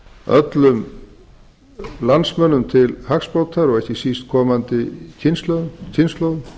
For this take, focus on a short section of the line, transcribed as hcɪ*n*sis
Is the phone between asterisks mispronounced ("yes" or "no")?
yes